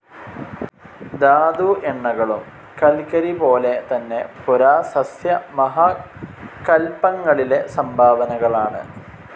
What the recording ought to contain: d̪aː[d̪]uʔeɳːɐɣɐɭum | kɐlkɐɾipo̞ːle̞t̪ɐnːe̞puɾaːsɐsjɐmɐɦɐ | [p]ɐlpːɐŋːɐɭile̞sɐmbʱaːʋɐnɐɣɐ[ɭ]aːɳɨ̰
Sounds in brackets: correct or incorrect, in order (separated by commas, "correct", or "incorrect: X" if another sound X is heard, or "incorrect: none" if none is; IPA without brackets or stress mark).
correct, incorrect: k, correct